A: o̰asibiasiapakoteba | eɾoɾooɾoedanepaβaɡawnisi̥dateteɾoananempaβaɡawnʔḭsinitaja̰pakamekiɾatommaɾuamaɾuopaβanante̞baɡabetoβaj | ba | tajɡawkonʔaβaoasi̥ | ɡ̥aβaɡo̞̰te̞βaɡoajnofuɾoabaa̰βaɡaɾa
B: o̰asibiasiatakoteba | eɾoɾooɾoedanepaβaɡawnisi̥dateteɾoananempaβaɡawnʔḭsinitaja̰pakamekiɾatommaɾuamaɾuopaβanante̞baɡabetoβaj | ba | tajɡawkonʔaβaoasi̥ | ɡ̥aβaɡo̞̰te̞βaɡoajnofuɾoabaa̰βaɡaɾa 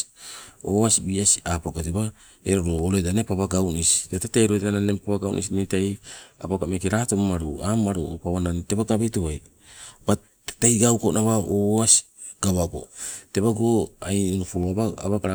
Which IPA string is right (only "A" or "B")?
A